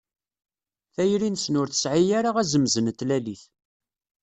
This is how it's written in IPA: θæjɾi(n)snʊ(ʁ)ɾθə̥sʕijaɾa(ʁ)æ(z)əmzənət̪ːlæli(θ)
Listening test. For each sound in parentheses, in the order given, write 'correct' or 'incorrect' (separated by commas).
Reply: correct, incorrect, correct, correct, correct